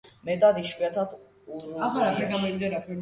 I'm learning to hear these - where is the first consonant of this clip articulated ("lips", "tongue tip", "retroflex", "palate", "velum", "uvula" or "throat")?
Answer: lips